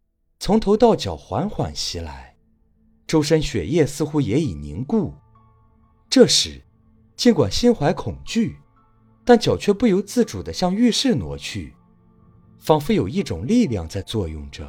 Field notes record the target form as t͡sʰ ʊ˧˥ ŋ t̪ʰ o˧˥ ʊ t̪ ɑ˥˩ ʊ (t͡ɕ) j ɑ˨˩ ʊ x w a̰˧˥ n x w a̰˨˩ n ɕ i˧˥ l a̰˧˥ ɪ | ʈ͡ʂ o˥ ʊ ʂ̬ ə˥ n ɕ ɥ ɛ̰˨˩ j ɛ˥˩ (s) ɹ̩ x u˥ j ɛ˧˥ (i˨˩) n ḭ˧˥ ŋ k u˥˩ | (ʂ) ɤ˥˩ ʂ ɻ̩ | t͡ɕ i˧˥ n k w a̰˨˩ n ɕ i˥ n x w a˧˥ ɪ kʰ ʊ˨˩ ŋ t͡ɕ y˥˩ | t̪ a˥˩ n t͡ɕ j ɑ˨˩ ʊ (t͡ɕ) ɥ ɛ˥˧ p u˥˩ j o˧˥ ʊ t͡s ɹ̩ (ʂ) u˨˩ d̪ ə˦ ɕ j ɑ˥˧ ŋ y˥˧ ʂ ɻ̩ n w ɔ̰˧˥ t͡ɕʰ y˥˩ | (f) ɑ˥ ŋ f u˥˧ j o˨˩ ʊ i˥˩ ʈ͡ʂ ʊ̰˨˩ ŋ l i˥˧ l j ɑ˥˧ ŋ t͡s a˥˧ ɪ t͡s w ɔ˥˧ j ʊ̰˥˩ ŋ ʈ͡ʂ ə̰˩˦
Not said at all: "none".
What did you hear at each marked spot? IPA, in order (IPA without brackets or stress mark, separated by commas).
t͡ɕ, s, i˨˩, ʈ͡ʂ, t͡ɕʰ, ʈ͡ʂ, f